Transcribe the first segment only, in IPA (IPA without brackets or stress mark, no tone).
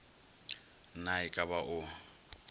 n